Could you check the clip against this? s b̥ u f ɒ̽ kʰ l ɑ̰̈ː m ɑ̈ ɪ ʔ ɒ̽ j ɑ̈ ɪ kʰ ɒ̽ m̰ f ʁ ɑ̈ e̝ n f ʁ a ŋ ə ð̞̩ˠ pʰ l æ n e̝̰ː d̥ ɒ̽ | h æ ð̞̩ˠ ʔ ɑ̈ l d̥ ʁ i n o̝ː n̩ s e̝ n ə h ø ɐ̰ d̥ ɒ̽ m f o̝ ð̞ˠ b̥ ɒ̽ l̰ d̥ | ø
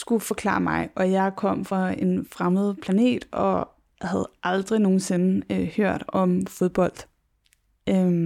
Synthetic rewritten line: s ɡ̥ u f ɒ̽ kʰ l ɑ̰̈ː m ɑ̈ ɪ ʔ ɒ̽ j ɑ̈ ɪ kʰ ɒ̽ m̰ f ʁ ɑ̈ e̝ n f ʁ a m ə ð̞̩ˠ pʰ l æ n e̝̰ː d̥ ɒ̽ | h æ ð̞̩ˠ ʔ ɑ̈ l d̥ ʁ i n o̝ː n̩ s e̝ n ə h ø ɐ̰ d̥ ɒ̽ m f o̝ ð̞ˠ b̥ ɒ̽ l̰ d̥ | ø